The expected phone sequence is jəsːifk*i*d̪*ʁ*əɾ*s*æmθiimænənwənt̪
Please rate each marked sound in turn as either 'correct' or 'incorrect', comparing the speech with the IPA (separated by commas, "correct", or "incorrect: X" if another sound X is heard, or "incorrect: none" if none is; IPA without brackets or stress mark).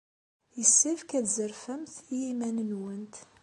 incorrect: æ, incorrect: z, incorrect: f